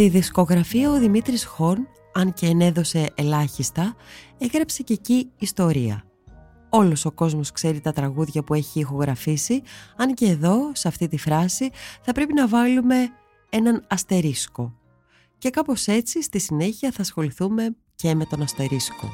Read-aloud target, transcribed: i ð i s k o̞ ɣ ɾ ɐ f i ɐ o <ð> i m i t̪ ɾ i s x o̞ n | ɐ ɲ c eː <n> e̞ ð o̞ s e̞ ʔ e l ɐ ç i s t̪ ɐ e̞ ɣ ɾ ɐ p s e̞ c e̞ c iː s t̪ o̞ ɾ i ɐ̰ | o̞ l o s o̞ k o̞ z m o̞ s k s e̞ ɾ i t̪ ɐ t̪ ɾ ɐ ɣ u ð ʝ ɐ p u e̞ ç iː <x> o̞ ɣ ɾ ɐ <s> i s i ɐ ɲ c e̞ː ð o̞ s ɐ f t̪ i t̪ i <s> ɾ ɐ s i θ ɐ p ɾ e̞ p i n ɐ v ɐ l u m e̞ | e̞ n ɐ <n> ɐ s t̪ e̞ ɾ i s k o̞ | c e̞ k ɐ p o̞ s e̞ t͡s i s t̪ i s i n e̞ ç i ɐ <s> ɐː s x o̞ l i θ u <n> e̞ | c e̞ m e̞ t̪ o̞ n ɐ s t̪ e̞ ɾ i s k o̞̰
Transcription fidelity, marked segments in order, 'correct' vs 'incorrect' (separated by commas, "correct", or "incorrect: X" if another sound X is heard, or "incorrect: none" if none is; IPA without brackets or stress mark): correct, correct, correct, incorrect: f, incorrect: f, correct, incorrect: θ, incorrect: m